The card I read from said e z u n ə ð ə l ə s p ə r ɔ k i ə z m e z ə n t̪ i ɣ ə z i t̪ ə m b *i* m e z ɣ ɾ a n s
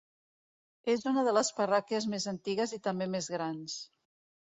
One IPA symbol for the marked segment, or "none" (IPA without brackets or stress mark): e